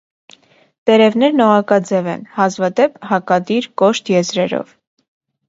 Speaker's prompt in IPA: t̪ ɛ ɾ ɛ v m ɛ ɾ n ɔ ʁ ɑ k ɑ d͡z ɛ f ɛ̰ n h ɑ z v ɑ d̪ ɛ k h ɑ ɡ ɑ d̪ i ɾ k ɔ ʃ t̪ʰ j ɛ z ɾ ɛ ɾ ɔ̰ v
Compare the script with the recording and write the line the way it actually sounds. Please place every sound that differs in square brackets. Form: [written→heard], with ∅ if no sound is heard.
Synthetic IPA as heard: t̪ ɛ ɾ ɛ v [m→n] ɛ ɾ n ɔ ʁ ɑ k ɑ d͡z ɛ [f→v] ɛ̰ n h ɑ z v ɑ d̪ ɛ [k→p] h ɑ [ɡ→k] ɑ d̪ i ɾ k ɔ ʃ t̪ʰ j ɛ z ɾ ɛ ɾ ɔ̰ v

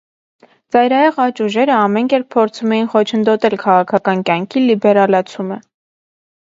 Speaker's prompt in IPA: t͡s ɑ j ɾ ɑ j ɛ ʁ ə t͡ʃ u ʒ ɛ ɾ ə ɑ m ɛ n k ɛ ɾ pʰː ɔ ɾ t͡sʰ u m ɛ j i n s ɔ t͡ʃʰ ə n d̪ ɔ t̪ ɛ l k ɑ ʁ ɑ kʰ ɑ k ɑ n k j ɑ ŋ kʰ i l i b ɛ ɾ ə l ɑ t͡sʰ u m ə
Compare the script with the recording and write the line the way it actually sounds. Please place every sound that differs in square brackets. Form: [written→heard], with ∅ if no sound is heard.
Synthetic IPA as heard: t͡s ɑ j ɾ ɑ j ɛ ʁ [ə→ɑ] t͡ʃ u ʒ ɛ ɾ ə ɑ m ɛ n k ɛ ɾ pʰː ɔ ɾ t͡sʰ u m ɛ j i n [s→χ] ɔ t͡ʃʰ ə n d̪ ɔ t̪ ɛ l [k→kʰ] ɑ ʁ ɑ kʰ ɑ k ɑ n k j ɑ ŋ kʰ i l i b ɛ ɾ [ə→ɑ] l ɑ t͡sʰ u m ə

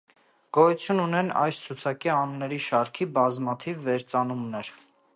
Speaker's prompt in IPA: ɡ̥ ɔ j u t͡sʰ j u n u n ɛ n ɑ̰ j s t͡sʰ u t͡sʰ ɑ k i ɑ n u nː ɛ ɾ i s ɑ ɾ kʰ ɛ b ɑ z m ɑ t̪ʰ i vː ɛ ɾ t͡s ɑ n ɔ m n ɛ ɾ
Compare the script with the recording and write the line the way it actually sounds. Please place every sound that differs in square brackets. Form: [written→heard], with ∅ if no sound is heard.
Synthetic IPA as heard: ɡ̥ ɔ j u t͡sʰ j u n u n ɛ n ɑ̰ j s t͡sʰ u t͡sʰ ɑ k i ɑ n u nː ɛ ɾ i [s→ʃ] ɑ ɾ kʰ [ɛ→i] b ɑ z m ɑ t̪ʰ i vː ɛ ɾ t͡s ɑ n [ɔ→u] m n ɛ ɾ

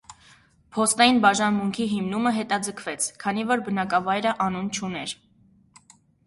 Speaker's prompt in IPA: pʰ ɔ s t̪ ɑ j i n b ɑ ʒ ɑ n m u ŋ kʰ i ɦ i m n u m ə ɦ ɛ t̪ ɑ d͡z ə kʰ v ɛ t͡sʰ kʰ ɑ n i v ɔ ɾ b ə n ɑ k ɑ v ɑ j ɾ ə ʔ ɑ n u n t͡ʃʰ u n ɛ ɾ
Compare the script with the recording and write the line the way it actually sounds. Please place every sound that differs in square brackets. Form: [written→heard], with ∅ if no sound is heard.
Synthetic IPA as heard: pʰ ɔ s t̪ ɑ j i n b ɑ ʒ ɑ n m u ŋ kʰ i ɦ i m n u m ə ɦ ɛ t̪ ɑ d͡z ə kʰ v ɛ t͡sʰ kʰ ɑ n i v ɔ ɾ b ə n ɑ k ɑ v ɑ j ɾ ə ʔ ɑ n u n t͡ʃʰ u n ɛ ɾ

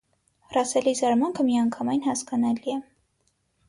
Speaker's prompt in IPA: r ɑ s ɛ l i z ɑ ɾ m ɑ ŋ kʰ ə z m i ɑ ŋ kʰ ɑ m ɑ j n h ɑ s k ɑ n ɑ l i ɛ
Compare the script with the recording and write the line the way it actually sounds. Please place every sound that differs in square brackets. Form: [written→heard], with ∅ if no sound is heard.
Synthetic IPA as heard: r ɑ s ɛ l i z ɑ ɾ m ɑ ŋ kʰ ə [z→∅] m i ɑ ŋ kʰ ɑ m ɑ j n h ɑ s k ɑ n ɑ l i ɛ

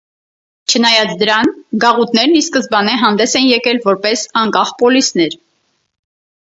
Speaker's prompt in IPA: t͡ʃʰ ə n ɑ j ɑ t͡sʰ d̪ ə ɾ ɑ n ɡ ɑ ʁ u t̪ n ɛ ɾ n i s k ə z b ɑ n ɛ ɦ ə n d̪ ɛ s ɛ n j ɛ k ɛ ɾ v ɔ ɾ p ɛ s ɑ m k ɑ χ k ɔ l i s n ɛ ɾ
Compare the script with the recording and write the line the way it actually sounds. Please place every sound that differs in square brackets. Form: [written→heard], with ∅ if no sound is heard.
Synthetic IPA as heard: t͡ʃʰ ə n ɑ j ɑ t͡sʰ d̪ ə ɾ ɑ n ɡ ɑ ʁ u t̪ n ɛ ɾ n i s k ə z b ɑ n ɛ ɦ [ə→ɑ] n d̪ ɛ s ɛ n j ɛ k ɛ [ɾ→l] v ɔ ɾ p ɛ s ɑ [m→ŋ] k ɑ χ [k→p] ɔ l i s n ɛ ɾ

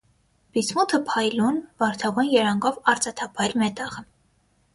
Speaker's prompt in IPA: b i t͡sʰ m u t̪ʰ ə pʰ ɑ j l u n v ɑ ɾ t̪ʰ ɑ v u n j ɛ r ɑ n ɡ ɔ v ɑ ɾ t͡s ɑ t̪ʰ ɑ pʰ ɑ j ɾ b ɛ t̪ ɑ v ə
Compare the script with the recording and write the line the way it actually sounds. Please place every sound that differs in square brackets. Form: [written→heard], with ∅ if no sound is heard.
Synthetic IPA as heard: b i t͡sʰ m u t̪ʰ ə pʰ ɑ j l u n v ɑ ɾ t̪ʰ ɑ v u n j ɛ [r→ɾ] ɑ [n→ŋ] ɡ ɔ v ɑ ɾ t͡s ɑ t̪ʰ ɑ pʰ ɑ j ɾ [b→m] ɛ t̪ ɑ [v→ʁ] ə

